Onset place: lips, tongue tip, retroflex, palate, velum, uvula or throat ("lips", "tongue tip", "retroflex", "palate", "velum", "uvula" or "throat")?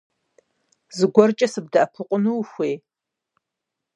tongue tip